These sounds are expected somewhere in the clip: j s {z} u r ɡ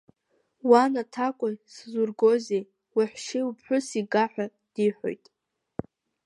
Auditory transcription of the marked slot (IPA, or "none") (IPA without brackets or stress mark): z